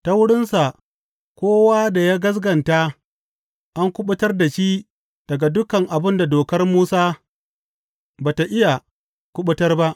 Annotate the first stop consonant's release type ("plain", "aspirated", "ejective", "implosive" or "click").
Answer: plain